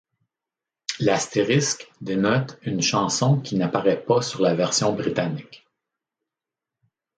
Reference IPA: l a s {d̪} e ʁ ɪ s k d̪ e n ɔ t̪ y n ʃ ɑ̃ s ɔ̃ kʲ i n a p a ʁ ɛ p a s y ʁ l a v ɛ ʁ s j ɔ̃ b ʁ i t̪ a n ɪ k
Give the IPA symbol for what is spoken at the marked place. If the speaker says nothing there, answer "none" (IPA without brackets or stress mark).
t̪